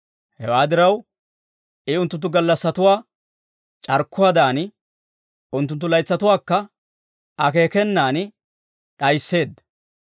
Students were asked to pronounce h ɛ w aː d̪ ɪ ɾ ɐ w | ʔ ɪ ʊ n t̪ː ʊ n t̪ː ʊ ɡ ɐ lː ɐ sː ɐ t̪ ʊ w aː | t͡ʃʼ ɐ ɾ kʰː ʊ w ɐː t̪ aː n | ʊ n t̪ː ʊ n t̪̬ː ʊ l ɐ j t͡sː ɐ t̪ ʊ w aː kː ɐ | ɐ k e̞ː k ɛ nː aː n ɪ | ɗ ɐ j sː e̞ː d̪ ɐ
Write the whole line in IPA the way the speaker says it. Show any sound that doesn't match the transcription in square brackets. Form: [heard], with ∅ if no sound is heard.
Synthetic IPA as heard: h ɛ w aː d̪ ɪ ɾ ɐ w | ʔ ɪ ʊ n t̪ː ʊ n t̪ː ʊ ɡ ɐ lː ɐ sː ɐ t̪ ʊ w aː | t͡ʃʼ ɐ ɾ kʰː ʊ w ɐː [d̪] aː n | ʊ n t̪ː ʊ n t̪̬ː ʊ l ɐ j t͡sː ɐ t̪ ʊ w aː kː ɐ | ɐ k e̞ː k ɛ nː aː n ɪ | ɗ ɐ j sː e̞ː d̪ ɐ